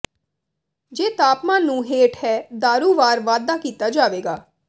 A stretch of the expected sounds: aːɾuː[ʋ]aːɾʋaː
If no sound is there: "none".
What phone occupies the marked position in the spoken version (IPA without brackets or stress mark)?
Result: ʋ